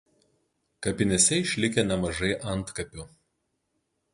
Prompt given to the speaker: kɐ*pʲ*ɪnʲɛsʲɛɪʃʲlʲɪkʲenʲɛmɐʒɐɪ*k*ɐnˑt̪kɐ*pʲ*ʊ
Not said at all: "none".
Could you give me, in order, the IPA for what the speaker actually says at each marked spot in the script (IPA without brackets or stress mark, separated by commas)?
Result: pʲ, ʔ, pʲ